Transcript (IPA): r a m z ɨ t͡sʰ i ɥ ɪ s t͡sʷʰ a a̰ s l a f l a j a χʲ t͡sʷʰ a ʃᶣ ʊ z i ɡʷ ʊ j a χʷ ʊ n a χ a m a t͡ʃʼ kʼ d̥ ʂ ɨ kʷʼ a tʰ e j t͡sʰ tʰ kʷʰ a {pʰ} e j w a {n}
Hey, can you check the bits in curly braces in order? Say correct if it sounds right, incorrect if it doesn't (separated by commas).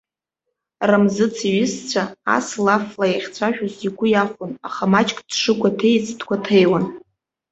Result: incorrect, correct